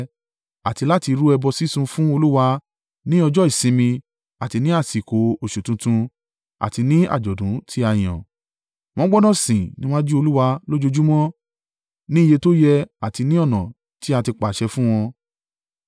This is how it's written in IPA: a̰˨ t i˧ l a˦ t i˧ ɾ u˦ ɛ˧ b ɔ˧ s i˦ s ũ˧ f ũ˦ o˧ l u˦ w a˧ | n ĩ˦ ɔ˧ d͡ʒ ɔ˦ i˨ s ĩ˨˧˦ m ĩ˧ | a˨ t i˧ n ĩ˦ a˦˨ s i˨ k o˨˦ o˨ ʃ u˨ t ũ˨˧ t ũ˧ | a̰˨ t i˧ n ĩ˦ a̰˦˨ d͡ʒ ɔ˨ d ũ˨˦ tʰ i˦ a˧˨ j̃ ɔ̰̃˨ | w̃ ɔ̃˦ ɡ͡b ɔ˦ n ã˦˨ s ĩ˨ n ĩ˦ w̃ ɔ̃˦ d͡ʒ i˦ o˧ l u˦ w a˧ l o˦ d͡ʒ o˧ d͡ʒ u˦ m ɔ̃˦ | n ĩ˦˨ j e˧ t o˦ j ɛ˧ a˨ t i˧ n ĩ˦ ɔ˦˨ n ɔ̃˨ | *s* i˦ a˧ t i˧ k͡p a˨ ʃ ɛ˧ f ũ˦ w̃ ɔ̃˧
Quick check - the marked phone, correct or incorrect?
incorrect: t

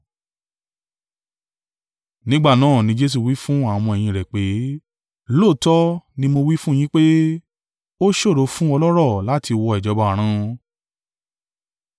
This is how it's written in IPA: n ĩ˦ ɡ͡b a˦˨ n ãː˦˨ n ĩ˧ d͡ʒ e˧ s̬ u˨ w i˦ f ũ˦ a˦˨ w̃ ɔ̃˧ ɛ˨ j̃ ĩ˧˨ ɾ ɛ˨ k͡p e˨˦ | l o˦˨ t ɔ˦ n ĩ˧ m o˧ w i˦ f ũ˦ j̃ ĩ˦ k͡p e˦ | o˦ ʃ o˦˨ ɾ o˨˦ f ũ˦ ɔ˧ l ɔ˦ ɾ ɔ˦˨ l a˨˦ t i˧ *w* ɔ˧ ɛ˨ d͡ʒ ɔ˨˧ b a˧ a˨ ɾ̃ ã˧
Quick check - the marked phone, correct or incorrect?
correct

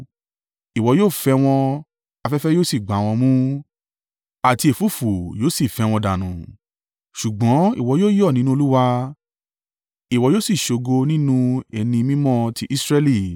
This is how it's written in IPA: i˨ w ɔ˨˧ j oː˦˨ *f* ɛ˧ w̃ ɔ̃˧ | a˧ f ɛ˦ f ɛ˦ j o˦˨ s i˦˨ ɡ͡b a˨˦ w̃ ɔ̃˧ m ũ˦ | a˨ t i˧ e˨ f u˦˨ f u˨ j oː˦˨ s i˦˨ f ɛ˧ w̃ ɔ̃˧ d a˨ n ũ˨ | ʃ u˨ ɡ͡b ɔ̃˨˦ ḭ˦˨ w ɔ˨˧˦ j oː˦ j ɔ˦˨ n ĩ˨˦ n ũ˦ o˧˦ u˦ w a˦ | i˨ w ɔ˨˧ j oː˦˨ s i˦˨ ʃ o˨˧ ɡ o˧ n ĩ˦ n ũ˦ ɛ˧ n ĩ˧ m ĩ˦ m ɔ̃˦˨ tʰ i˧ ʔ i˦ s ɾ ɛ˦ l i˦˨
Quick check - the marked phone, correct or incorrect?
correct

